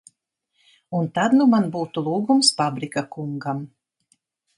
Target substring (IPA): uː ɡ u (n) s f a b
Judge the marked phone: incorrect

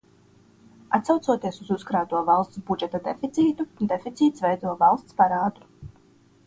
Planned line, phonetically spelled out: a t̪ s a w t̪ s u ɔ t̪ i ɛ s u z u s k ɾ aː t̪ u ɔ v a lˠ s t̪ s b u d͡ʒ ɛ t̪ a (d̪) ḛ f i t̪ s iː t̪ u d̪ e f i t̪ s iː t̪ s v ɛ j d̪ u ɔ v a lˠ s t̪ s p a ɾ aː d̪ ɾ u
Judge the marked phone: correct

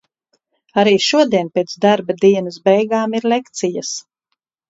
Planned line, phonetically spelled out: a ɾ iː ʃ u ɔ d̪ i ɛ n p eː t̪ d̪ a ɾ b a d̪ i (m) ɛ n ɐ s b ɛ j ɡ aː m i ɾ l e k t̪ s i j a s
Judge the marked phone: incorrect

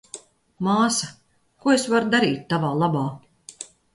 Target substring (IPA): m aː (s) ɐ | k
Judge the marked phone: correct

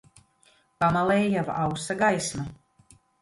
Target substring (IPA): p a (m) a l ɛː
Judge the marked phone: correct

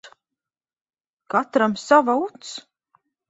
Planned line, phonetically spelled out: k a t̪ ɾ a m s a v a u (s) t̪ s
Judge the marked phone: incorrect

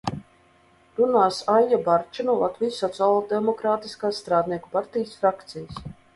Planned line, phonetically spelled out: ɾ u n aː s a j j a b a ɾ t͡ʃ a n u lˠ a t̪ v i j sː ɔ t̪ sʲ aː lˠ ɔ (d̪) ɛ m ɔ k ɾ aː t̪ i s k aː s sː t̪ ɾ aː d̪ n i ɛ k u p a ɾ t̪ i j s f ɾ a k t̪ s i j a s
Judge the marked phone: correct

